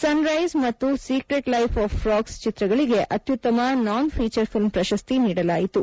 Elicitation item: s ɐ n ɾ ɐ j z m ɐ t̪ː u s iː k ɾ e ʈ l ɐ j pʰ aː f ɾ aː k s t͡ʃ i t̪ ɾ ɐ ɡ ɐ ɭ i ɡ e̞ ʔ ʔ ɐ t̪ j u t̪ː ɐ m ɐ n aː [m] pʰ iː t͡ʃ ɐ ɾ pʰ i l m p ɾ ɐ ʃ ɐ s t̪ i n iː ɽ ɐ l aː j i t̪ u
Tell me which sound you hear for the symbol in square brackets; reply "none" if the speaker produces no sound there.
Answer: n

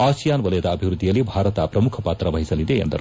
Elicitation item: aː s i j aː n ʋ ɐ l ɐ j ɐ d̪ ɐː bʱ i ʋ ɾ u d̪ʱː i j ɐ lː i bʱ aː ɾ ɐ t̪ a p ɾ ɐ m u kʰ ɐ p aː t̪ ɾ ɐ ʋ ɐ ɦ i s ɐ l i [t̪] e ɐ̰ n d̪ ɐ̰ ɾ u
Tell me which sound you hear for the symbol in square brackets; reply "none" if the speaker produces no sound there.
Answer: d̪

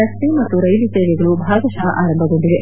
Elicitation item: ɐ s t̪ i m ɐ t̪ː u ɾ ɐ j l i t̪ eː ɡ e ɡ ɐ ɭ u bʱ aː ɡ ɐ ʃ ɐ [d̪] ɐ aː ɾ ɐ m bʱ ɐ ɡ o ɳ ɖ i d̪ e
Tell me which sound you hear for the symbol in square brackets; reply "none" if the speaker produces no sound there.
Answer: none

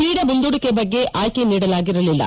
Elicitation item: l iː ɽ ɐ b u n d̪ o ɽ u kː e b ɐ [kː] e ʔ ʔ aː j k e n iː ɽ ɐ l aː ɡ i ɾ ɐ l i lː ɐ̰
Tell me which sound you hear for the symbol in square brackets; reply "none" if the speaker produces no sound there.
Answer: ɡː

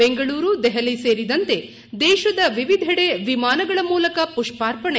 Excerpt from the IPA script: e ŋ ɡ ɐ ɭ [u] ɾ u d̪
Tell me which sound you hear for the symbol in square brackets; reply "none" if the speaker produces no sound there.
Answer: uː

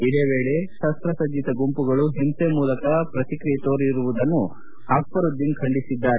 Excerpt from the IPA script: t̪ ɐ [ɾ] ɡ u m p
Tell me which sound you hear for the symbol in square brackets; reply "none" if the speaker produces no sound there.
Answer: none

